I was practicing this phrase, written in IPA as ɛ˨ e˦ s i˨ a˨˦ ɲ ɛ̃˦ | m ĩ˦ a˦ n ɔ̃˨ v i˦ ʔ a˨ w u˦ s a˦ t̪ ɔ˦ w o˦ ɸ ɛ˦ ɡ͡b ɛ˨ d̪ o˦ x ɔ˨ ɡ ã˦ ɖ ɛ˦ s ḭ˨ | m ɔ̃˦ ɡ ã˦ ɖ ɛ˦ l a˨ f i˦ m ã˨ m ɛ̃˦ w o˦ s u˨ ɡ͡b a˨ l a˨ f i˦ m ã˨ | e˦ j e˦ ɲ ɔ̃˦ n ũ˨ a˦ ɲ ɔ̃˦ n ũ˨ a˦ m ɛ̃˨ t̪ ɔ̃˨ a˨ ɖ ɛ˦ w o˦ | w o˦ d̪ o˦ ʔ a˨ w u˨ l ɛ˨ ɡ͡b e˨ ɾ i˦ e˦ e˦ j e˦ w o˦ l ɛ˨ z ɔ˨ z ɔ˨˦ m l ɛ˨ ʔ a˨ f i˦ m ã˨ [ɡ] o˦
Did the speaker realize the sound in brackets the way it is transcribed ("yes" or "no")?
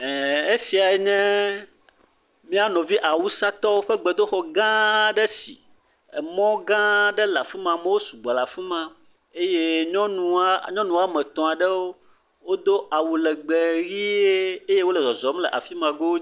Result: yes